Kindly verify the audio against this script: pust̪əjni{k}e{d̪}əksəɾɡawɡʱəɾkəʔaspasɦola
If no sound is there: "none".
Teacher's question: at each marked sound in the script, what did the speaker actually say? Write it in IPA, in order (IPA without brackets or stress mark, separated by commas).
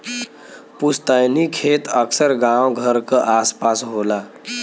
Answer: kʰ, t̪